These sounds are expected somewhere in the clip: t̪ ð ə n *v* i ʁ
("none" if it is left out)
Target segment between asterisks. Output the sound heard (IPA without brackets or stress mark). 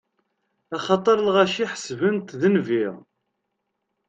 v